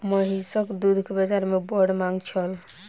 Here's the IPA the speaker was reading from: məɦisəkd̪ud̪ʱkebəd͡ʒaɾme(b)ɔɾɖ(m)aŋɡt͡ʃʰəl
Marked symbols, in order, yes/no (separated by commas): yes, yes